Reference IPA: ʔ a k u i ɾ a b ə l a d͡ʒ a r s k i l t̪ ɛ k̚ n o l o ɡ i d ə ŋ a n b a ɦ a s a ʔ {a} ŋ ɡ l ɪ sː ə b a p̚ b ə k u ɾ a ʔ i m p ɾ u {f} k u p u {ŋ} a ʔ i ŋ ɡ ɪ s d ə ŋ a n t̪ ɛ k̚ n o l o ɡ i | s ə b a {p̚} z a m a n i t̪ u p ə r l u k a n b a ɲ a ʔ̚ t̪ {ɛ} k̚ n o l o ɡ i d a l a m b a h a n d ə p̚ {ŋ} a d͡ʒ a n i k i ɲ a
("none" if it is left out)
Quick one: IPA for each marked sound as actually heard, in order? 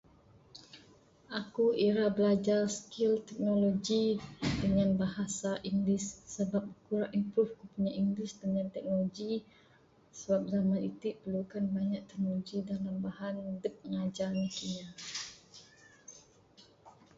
i, f, ɲ, p̚, ɛ, ŋ

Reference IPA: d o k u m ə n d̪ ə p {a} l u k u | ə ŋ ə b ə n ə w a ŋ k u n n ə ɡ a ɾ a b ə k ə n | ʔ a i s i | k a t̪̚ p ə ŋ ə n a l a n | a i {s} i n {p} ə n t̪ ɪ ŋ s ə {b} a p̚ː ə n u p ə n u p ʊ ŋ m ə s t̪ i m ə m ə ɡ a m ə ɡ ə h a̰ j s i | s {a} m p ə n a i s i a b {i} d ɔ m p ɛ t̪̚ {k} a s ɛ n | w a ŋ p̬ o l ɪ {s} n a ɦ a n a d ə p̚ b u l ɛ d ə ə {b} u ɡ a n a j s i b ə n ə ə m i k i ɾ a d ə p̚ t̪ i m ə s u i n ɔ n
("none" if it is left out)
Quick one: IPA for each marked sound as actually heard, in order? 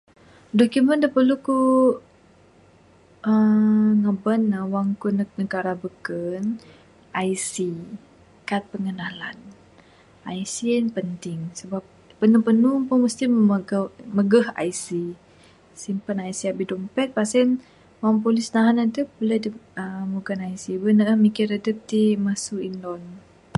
ə, s, p, b, i, i, p, s, m

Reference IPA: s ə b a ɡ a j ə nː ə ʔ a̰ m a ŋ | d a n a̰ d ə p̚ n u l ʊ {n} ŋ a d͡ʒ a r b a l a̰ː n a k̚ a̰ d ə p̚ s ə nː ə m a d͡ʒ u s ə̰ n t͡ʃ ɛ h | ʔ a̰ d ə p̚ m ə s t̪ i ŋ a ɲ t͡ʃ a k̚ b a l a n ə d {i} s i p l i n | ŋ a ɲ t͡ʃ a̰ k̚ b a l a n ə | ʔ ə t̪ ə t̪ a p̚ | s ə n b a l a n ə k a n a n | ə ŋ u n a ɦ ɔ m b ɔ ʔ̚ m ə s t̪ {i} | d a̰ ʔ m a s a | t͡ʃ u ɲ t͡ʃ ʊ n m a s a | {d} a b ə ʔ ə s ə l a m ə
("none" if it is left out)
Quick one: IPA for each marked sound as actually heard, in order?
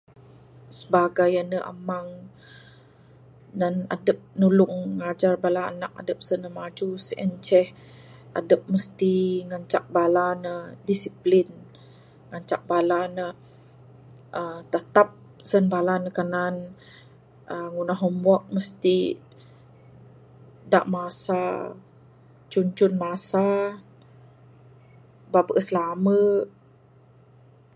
ŋ, i, i, b

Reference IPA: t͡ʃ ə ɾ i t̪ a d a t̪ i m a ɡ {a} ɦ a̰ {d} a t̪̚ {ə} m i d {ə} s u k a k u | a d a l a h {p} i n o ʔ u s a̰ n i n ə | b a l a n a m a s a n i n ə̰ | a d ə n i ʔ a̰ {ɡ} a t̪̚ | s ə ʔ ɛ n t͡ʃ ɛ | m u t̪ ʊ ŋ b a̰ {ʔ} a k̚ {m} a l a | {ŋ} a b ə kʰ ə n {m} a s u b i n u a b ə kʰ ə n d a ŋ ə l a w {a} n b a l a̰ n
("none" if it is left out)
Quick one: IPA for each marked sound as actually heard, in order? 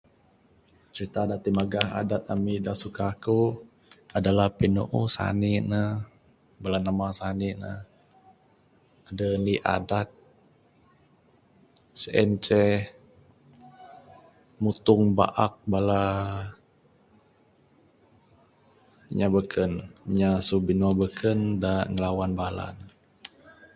a, d, a, a, p, d, ʔ, b, ɲ, ɲ, a

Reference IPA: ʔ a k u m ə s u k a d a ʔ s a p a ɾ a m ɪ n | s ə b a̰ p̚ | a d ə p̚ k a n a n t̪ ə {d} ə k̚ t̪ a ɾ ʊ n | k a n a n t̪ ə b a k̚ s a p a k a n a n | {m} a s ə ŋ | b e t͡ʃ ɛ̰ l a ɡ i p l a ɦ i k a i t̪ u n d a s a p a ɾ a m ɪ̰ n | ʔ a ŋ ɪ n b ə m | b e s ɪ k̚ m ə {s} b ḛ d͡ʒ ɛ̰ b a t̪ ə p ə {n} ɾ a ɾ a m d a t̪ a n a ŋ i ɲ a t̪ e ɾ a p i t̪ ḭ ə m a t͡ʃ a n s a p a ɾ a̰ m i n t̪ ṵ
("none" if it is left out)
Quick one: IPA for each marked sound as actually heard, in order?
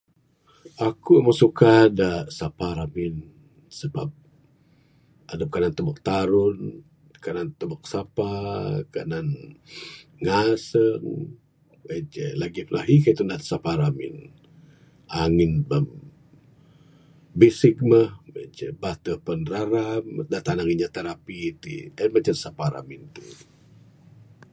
b, ŋ, h, n

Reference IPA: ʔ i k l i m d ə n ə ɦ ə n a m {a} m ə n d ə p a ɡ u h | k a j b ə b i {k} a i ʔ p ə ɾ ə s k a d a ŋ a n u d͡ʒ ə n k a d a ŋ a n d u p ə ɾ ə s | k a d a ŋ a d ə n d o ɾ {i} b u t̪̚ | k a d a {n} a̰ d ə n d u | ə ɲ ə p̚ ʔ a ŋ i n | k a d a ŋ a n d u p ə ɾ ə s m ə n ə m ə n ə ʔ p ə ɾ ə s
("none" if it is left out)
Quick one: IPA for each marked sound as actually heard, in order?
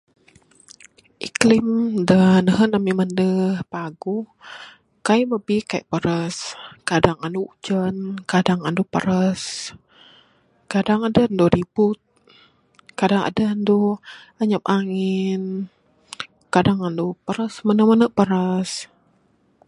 i, k, i, ŋ

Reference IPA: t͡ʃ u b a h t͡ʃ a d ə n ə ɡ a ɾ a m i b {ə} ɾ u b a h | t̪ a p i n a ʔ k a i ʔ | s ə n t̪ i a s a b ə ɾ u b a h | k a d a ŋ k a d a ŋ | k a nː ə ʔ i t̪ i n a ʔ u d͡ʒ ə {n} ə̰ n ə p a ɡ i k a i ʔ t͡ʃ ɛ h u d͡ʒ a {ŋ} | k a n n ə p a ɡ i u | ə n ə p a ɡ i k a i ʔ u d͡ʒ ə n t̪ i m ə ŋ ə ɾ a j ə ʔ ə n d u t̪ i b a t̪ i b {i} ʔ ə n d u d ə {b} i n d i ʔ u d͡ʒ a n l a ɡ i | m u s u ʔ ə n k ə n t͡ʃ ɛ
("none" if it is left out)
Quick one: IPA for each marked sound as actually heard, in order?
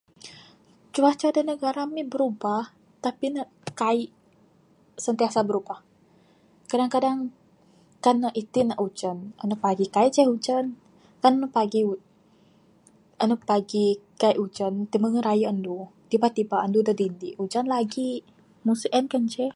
ə, n, n, a, d

